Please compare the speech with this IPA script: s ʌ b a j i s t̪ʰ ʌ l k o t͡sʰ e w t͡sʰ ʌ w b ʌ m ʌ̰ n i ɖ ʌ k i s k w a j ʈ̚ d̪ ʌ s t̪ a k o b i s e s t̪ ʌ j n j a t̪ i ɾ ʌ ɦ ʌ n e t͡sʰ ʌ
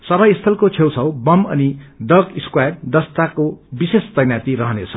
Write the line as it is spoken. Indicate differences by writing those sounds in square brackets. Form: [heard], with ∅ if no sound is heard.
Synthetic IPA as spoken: s ʌ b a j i s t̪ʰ ʌ l k o t͡sʰ e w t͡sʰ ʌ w b ʌ m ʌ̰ n i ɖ ʌ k i s k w a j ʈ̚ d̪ ʌ s t̪ a k o b i s e s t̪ ʌ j n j a t̪ i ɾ ʌ ɦ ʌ n e t͡sʰ ʌ